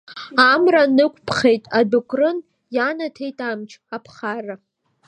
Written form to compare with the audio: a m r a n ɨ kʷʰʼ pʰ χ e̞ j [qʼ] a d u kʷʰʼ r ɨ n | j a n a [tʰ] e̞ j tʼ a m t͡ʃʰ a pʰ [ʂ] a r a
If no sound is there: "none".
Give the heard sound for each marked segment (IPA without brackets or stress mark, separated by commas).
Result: tʼ, tʰ, χ